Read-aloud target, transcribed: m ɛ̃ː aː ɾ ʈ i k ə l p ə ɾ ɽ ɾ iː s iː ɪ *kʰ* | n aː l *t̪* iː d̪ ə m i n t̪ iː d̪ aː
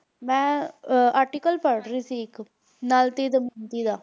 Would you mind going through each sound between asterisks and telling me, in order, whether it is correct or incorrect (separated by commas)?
incorrect, correct